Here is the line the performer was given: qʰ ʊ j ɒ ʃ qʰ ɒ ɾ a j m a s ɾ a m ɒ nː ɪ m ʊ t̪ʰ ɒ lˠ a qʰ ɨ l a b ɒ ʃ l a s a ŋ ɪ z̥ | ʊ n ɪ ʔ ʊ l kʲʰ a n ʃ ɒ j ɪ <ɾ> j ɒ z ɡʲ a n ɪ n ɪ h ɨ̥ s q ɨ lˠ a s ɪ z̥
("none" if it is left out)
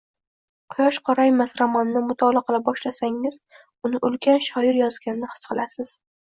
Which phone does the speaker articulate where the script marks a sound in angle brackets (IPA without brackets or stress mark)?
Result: ɾ